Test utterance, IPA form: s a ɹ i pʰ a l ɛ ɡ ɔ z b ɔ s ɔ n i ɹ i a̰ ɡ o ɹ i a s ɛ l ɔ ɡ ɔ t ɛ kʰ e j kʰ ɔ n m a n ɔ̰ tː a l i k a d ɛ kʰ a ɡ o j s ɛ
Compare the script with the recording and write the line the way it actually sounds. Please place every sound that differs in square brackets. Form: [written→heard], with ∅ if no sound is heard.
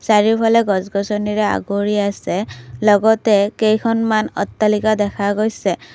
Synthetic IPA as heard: s a ɹ i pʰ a l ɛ ɡ ɔ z [b→ɡ] ɔ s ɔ n i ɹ [i→ɛ] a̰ ɡ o ɹ i a s ɛ l ɔ ɡ ɔ t ɛ [kʰ→k] e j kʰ ɔ n m a n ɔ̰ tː a l i k a d ɛ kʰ a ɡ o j s ɛ